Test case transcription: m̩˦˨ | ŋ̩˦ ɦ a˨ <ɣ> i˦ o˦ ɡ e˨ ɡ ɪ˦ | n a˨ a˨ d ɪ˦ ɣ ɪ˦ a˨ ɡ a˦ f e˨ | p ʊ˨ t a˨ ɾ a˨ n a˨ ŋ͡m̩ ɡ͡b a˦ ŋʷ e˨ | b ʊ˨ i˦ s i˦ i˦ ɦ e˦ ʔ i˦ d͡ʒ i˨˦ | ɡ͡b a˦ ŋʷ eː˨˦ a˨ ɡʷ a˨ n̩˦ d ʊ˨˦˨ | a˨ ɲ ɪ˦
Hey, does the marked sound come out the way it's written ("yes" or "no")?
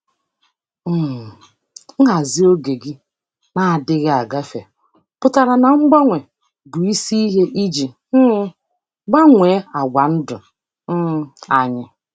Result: no